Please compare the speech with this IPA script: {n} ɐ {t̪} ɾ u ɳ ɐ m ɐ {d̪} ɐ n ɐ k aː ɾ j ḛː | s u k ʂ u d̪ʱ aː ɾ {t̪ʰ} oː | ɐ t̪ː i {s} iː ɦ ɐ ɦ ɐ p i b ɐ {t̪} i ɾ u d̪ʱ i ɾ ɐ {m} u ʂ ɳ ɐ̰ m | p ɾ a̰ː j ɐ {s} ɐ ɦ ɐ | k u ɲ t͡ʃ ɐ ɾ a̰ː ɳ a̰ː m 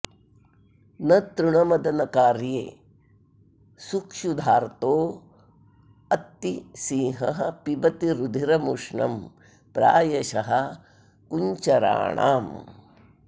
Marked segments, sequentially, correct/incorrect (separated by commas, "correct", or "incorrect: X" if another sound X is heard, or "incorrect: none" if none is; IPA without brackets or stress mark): correct, correct, correct, incorrect: t̪, correct, correct, correct, incorrect: ʃ